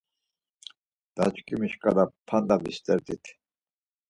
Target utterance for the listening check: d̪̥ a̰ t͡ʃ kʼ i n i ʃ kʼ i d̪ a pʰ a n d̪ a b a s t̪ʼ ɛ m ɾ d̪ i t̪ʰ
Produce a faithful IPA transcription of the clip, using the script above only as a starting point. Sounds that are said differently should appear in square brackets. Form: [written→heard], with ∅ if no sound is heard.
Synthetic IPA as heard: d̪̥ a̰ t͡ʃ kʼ i [n→m] i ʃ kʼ [i→a] d̪ a pʰ a n d̪ a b [a→i] s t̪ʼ ɛ [m→∅] ɾ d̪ i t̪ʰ